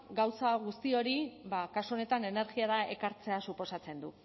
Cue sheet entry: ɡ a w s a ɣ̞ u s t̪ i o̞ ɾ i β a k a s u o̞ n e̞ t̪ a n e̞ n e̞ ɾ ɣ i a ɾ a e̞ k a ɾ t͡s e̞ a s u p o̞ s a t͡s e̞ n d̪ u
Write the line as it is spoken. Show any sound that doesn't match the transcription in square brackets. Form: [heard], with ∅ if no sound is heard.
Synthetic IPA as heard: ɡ a w s a ɣ̞ u s t̪ i o̞ ɾ i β a k a s u o̞ n e̞ t̪ a n e̞ n e̞ ɾ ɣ i a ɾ a e̞ k a ɾ t͡s e̞ a s u p o̞ s a t͡s e̞ n d̪ u